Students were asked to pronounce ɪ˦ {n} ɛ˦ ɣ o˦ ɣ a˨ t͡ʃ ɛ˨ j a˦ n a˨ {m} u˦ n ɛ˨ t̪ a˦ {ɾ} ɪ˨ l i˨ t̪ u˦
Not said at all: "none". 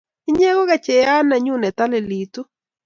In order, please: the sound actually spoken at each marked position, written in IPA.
ɲ, ɲ, l

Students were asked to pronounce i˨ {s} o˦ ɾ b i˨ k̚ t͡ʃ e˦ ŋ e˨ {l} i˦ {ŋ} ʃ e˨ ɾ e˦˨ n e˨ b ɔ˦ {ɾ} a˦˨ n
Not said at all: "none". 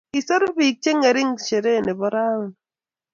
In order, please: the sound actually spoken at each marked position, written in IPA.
s, ɾ, ŋ, ɾ

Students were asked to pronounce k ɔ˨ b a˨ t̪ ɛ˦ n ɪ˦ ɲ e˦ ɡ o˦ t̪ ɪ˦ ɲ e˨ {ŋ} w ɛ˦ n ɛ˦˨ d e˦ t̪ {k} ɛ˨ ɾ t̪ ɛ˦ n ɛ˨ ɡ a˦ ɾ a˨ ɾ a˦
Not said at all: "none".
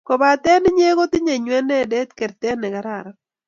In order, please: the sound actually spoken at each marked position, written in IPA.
ɲ, k

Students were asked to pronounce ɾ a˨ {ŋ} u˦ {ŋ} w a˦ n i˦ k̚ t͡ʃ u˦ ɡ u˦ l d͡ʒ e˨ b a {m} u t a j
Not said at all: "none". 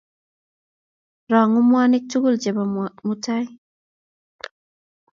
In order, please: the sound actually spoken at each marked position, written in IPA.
ŋ, m, m

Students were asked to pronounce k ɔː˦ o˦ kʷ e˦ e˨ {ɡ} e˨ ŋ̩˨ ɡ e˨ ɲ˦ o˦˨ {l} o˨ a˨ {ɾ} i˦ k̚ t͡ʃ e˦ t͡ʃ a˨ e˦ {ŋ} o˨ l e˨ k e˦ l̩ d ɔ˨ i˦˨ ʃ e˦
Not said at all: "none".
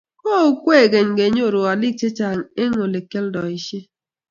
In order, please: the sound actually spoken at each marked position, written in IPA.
ɡ, ɾ, l, ŋ

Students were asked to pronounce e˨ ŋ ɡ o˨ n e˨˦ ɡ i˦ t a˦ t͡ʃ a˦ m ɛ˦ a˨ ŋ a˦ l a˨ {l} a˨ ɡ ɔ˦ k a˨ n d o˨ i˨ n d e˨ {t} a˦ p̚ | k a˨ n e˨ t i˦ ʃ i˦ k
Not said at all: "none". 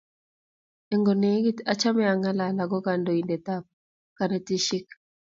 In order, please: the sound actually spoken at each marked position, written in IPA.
l, t

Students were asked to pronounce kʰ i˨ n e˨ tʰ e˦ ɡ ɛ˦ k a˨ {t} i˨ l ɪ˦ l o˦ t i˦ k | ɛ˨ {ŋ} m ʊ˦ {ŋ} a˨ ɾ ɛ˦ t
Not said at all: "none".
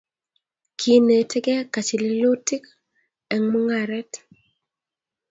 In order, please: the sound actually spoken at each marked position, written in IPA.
t͡ʃ, ŋ, ŋ

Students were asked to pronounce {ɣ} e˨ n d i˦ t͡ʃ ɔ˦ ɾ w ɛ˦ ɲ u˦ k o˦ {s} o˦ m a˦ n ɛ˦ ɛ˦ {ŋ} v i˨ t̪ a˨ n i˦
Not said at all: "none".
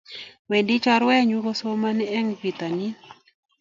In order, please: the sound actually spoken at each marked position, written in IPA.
w, s, ŋ

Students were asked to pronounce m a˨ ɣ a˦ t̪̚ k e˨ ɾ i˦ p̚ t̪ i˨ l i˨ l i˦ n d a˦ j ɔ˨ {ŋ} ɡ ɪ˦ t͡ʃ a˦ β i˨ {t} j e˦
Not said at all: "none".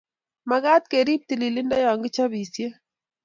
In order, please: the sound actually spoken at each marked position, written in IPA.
ŋ, s

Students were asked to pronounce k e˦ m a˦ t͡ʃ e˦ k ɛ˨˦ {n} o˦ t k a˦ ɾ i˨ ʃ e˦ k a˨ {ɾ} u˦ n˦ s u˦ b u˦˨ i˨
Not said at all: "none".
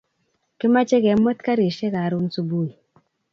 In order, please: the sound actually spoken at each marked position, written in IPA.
m, ɾ

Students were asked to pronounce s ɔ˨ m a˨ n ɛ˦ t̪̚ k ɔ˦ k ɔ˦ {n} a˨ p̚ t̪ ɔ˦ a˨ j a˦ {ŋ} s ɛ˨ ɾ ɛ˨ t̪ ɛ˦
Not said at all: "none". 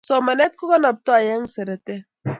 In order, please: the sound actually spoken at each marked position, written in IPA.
n, ŋ

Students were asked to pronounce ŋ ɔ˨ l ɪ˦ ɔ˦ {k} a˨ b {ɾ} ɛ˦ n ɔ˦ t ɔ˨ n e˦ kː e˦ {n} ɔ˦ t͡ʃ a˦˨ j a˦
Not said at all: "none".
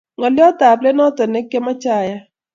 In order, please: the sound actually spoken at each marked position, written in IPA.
t, l, m

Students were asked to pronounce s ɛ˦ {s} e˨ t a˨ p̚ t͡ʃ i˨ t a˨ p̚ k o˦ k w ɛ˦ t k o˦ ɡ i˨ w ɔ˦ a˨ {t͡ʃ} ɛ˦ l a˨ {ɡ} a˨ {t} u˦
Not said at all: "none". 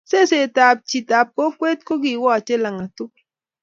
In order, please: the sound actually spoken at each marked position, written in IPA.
s, t͡ʃ, ŋ, t

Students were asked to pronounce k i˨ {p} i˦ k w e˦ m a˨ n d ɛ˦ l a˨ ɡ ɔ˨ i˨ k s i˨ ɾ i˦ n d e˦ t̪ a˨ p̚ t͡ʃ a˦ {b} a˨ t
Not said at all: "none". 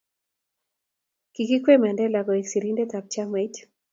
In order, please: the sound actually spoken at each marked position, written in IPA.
k, m

